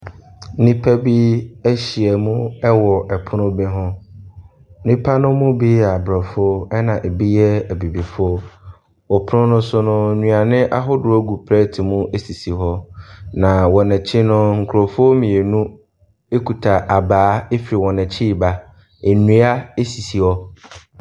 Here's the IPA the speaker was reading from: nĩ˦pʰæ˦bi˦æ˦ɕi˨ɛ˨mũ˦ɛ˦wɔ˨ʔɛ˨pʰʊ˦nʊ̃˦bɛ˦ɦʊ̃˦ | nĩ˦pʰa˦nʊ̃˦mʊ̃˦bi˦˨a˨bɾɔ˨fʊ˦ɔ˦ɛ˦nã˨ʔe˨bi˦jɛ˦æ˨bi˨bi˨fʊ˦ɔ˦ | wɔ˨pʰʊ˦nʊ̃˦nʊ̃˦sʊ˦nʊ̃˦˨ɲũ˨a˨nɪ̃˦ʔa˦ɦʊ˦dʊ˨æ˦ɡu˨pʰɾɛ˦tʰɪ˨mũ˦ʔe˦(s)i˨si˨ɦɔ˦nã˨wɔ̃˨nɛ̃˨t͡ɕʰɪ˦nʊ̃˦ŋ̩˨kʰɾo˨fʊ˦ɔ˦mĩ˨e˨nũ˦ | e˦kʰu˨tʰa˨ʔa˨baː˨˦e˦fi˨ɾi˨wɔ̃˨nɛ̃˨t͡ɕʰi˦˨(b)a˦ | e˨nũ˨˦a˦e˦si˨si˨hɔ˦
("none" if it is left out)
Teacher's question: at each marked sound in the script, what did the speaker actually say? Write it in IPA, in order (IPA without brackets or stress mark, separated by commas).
s, b